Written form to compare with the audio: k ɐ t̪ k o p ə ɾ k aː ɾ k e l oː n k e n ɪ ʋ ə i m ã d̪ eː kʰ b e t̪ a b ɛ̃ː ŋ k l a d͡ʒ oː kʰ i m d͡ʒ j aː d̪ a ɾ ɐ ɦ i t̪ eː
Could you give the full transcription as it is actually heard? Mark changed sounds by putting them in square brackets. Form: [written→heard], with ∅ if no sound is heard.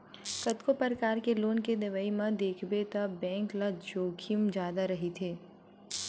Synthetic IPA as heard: k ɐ t̪ k o p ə ɾ k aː ɾ k e l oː n k e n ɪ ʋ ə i m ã d̪ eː kʰ b e t̪ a b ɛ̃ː ŋ k l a d͡ʒ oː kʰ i m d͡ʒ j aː d̪ a ɾ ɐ ɦ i [t̪→t̪ʰ] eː

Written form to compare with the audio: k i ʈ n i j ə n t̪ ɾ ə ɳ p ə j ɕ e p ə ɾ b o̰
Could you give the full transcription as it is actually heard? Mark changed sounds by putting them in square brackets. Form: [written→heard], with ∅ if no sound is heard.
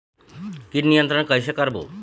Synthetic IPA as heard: k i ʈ n i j ə n t̪ ɾ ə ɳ [p→k] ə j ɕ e [p→k] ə ɾ b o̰

